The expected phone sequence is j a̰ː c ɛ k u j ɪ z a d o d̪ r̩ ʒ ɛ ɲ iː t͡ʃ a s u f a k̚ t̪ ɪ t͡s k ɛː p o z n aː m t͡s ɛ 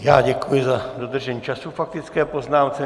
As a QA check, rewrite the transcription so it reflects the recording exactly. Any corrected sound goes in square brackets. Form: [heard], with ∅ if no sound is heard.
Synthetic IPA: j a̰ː [ɟ] ɛ k u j ɪ z a d o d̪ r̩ ʒ ɛ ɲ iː t͡ʃ a s u f a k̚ t̪ ɪ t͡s k ɛː p o z n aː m t͡s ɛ

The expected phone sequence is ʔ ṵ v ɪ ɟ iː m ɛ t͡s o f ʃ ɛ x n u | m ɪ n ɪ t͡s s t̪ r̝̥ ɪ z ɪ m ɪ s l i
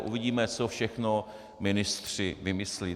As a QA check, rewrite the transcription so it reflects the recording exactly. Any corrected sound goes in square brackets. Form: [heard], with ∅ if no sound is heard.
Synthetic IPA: ʔ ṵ v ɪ ɟ iː m ɛ t͡s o f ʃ ɛ x n [o] | m ɪ n ɪ [∅] s t̪ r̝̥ ɪ [v] ɪ m ɪ s l i

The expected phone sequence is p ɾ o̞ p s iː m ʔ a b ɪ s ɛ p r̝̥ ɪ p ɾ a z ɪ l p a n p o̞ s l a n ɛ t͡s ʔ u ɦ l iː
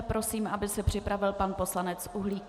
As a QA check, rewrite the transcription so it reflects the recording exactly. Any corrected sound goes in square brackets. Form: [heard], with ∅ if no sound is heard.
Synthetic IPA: p ɾ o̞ [∅] s iː m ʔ a b ɪ s ɛ p r̝̥ ɪ p ɾ a [v] ɪ l p a n p o̞ s l a n ɛ t͡s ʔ u ɦ l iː

